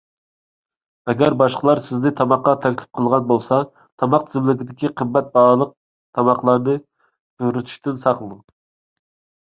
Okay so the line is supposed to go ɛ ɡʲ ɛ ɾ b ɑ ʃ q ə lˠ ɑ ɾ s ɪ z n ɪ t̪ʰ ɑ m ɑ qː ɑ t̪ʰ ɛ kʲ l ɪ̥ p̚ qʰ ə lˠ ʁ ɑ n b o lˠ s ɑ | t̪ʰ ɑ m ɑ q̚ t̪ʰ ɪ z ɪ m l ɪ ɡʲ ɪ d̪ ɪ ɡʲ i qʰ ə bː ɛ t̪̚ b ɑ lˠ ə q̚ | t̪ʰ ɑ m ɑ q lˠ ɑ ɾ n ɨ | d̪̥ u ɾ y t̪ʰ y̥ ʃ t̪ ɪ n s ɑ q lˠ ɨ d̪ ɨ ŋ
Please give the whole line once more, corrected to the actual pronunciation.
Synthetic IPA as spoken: ɛ ɡʲ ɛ ɾ b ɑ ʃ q ə lˠ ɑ ɾ s ɪ z n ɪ t̪ʰ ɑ m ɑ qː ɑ t̪ʰ ɛ kʲ l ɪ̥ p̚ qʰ ə lˠ ʁ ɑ n b o lˠ s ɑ | t̪ʰ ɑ m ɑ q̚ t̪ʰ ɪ z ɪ m l ɪ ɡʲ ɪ d̪ ɪ kʲ i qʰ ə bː ɛ t̪̚ b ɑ lˠ ə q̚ | t̪ʰ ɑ m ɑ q lˠ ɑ ɾ n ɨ | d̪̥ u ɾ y t̪ʰ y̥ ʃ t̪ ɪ n s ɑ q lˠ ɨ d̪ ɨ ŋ